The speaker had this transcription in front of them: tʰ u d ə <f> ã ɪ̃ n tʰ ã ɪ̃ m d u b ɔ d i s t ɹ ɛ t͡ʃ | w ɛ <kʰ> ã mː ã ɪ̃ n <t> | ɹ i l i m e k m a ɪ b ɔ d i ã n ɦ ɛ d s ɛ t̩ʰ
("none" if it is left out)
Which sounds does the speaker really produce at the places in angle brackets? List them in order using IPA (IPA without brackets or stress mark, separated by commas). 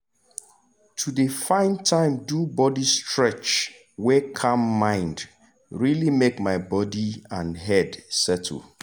f, kʰ, d